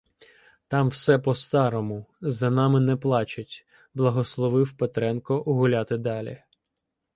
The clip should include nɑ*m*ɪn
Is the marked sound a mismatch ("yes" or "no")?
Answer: no